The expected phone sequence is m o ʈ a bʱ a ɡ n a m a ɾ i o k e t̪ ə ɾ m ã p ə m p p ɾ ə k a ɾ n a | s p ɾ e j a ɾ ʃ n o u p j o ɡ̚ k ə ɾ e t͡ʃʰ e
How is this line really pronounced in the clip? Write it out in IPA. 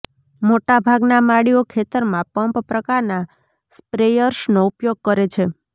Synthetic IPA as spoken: m o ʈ a bʱ a ɡ n a m a ɽ i o kʰ e t̪ ə ɾ m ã p ə m p p ɾ ə k a ɾ n a | s p ɾ e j ə ɾ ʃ n o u p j o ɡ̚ k ə ɾ e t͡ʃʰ e